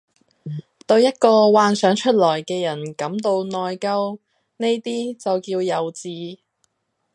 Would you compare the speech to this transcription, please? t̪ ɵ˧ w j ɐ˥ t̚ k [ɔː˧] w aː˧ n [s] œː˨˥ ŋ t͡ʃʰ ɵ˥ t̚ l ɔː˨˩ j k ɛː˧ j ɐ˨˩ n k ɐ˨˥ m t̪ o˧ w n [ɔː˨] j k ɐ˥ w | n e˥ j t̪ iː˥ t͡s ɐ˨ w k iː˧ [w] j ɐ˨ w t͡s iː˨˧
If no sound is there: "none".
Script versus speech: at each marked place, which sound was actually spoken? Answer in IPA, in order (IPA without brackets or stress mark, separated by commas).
ɔː˧, s, ɔː˨, w